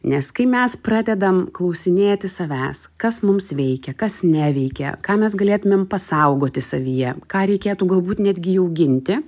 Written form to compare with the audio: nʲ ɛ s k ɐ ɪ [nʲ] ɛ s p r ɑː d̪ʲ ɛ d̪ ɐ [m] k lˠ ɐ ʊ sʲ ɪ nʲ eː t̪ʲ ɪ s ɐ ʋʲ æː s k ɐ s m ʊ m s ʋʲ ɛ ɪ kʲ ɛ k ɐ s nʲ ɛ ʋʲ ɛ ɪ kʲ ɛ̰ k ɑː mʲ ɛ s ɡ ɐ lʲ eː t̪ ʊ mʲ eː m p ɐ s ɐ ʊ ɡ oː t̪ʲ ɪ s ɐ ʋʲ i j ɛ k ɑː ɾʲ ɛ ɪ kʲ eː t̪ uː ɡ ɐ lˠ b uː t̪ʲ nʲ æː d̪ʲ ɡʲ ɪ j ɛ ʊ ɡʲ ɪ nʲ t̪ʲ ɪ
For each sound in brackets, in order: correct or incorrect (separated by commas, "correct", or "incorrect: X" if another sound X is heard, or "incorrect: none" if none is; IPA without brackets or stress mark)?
incorrect: mʲ, correct